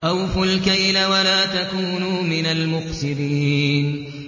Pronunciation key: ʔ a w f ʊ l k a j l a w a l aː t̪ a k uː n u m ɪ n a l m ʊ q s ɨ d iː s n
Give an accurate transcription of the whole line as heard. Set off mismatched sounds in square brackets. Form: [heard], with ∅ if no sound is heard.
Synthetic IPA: ʔ a w f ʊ l k a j l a w a l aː t̪ a k uː n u m ɪ n a l m ʊ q s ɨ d iː [∅] n